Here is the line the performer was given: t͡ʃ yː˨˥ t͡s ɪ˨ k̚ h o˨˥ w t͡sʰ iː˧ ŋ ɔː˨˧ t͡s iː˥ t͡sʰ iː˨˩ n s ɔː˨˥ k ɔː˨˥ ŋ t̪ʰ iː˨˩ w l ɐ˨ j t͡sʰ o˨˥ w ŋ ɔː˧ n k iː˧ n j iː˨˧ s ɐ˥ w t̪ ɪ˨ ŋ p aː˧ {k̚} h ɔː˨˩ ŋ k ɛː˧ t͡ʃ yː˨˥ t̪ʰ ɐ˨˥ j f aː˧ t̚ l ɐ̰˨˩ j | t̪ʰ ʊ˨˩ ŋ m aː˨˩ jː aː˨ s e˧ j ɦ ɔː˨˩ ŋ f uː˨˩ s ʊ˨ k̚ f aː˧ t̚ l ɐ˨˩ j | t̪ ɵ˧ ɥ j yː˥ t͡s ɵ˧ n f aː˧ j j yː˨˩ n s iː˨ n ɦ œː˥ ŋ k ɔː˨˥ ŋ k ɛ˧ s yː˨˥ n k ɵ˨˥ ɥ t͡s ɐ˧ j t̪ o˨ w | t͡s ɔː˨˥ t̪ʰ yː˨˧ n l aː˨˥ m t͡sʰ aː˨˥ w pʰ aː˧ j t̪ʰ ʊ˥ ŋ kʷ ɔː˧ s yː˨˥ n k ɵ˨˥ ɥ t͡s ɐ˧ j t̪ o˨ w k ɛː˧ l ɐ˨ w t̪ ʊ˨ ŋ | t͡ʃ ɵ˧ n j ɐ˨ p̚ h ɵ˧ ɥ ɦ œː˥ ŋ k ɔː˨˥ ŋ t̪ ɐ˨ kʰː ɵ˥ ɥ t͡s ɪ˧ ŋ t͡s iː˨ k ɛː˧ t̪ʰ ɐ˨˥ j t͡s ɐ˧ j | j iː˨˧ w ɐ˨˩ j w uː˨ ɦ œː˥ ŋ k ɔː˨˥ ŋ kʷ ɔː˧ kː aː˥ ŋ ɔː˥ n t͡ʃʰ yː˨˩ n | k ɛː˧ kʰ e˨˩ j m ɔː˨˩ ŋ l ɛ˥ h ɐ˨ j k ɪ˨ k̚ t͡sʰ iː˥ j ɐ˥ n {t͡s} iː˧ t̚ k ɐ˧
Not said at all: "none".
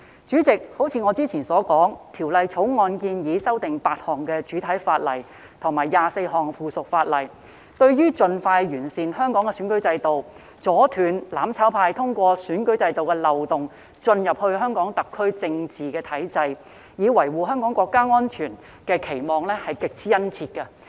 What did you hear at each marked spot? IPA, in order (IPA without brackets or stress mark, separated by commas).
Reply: t̚, t͡sʰ